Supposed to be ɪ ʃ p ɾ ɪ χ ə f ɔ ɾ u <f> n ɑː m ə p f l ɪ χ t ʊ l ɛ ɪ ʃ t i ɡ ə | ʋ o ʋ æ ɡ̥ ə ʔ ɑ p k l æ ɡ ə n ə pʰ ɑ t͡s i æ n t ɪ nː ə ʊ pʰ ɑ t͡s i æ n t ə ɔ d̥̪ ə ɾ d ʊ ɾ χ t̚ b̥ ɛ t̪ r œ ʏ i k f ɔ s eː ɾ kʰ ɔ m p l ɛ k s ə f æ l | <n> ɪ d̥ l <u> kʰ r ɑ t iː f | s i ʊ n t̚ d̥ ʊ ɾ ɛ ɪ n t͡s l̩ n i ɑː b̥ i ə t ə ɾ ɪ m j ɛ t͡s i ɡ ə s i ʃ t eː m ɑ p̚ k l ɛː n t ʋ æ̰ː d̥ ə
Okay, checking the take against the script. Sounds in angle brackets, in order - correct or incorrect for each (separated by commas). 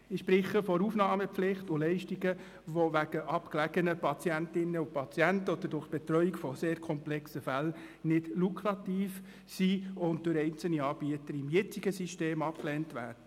correct, correct, correct